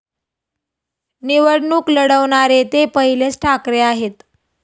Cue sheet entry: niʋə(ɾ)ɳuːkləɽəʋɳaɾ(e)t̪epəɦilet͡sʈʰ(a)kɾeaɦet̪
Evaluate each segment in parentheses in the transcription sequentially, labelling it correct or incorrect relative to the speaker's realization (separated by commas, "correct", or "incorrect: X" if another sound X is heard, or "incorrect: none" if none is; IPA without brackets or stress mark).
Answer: incorrect: ɽ, correct, correct